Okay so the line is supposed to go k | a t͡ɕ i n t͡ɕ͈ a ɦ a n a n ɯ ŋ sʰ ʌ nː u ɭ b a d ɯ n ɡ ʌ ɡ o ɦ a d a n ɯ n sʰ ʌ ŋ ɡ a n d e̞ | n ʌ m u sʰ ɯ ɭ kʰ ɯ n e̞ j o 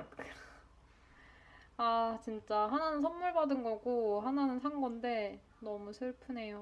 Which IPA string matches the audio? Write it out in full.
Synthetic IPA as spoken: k | a t͡ɕ i n t͡ɕ͈ a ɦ a n a n ɯ n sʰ ʌ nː u ɭ b a d ɯ n ɡ ʌ ɡ o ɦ a n a n ɯ n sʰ a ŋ ɡ ʌ n d e̞ | n ʌ m u sʰ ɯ ɭ pʰ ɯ n e̞ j o